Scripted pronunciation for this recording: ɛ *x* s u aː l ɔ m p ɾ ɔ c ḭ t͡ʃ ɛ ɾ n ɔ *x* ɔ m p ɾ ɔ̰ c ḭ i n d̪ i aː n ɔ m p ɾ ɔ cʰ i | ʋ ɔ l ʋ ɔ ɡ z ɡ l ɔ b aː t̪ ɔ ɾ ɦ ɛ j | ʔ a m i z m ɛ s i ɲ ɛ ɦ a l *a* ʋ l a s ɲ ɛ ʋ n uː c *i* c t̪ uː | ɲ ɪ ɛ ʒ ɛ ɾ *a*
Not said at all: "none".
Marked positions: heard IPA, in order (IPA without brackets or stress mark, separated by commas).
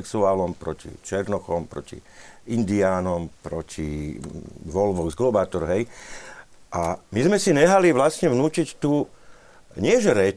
k, x, i, i, ɛ